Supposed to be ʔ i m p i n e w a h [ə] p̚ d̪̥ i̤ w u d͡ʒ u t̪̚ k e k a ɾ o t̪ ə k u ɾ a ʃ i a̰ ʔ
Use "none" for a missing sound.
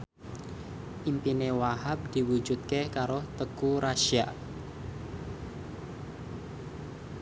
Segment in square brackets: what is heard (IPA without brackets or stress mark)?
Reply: a